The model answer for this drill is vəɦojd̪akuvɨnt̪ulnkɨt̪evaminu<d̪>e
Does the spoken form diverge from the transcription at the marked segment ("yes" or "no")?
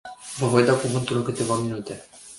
yes